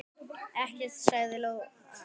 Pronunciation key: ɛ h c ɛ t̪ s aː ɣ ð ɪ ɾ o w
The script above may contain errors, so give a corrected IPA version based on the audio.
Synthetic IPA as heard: ɛ h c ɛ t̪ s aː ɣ ð ɪ l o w